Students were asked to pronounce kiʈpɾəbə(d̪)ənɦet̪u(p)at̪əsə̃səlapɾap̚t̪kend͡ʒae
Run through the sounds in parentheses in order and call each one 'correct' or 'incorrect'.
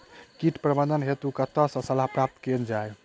correct, incorrect: k

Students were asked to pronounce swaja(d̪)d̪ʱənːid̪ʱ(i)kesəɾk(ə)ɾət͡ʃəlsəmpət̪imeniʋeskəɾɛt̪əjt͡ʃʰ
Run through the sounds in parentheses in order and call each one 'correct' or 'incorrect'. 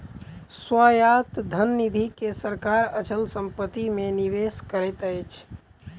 incorrect: t̪, correct, incorrect: a

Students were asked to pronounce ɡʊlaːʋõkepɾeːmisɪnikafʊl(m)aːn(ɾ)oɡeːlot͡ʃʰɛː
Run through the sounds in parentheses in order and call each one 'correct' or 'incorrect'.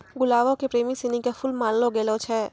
correct, incorrect: l

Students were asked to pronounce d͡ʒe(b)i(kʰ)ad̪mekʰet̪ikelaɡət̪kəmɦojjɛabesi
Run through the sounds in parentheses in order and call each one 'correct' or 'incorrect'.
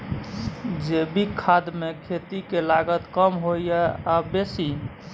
correct, correct

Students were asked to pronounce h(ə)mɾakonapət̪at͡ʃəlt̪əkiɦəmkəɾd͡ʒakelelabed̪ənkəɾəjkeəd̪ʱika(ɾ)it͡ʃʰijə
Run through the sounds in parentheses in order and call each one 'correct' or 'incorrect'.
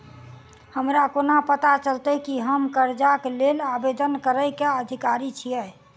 correct, correct

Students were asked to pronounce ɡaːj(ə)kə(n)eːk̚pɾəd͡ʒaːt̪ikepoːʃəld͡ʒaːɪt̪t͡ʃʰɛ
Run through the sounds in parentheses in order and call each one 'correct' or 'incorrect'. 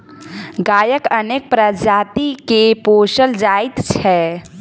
correct, correct

